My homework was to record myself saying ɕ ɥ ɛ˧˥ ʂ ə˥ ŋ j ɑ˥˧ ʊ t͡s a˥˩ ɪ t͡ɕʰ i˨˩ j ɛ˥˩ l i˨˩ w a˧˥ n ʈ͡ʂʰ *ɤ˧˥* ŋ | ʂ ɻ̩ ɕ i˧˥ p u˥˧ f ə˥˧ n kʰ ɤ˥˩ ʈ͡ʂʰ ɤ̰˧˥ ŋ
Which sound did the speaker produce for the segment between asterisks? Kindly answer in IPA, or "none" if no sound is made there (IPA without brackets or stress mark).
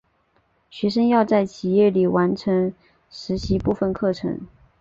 ɤ˧˥